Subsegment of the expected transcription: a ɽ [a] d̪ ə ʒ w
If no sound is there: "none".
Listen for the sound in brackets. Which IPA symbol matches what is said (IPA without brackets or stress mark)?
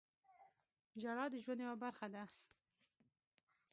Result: ɑ